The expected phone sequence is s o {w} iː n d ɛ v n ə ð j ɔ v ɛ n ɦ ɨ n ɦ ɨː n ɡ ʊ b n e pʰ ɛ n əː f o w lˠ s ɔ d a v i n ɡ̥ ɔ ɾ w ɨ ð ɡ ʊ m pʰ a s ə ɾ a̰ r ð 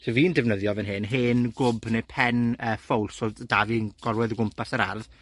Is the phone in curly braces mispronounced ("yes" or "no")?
yes